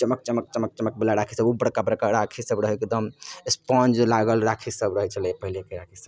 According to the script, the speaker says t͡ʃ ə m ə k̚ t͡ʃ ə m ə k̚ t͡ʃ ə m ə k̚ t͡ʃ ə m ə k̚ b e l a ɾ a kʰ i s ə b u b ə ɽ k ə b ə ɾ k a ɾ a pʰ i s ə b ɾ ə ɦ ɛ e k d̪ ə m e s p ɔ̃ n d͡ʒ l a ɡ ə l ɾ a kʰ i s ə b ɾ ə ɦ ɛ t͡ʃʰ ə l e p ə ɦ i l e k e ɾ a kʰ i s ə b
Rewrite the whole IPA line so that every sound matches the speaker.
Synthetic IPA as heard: t͡ʃ ə m ə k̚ t͡ʃ ə m ə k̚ t͡ʃ ə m ə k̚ t͡ʃ ə m ə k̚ b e l a ɾ a kʰ i s ə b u b ə ɽ k a b ə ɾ k a ɾ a kʰ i s ə b ɾ ə ɦ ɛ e k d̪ ə m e s p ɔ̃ n d͡ʒ l a ɡ ə l ɾ a kʰ i s ə b ɾ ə ɦ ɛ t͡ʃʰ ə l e p ə ɦ i l e k e ɾ a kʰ i s ə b